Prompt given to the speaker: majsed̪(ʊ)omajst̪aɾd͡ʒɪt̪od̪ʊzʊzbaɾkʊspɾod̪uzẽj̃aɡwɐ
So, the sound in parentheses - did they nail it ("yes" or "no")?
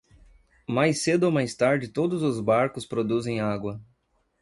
yes